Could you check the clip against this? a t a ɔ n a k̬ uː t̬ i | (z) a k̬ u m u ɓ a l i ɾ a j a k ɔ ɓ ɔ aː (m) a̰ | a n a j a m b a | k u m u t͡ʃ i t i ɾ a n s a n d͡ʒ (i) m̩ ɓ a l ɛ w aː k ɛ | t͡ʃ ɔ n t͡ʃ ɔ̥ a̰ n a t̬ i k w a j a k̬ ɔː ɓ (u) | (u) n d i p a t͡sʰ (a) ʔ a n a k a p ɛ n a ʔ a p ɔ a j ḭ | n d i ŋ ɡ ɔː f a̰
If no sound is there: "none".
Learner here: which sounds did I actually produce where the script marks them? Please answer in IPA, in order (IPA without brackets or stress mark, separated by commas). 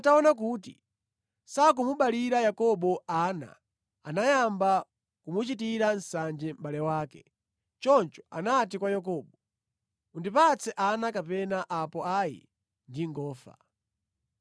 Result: s, n, ɛ, ɔ, u, ɛ